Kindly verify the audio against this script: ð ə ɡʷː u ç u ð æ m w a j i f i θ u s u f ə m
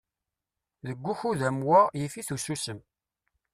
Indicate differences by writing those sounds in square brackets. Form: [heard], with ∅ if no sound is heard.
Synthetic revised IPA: ð ə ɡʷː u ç u ð æ m w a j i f i θ u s u [s] ə m